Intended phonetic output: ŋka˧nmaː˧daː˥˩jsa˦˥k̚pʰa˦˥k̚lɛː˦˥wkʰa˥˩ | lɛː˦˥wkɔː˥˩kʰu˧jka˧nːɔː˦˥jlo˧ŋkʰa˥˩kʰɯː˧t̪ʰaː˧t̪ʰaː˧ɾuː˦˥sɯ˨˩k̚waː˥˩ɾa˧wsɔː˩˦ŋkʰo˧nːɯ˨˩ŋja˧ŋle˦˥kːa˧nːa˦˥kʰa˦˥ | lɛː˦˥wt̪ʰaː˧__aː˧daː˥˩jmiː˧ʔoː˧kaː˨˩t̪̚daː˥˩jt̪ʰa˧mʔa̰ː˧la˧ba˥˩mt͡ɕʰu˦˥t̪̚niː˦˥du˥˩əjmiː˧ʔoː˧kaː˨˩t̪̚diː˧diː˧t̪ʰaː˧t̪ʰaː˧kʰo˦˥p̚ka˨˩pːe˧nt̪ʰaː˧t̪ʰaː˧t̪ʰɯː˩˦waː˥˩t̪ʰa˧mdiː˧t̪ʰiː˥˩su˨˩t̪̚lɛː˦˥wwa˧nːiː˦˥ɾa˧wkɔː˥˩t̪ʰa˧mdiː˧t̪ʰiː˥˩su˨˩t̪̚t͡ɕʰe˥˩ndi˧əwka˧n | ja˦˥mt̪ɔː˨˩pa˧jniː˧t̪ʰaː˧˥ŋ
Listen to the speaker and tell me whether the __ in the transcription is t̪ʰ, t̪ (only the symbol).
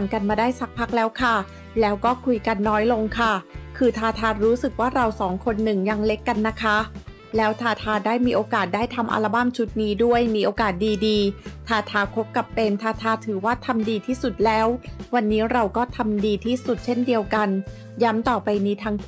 t̪ʰ